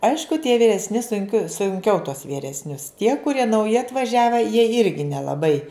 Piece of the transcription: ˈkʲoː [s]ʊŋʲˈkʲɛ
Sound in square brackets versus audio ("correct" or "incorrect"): correct